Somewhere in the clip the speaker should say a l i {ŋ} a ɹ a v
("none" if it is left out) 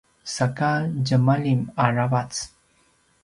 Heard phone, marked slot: m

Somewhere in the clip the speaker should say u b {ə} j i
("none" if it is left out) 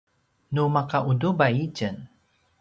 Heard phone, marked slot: a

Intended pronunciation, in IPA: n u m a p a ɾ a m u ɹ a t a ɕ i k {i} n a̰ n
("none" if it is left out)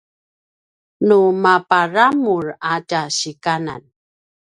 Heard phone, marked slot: a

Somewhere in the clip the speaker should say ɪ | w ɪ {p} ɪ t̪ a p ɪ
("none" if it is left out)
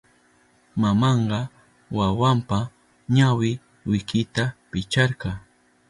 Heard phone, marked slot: k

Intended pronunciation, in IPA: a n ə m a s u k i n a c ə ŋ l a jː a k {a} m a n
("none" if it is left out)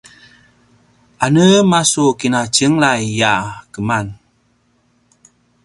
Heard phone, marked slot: ə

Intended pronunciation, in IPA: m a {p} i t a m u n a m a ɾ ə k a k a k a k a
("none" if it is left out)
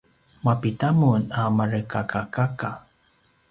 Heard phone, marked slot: p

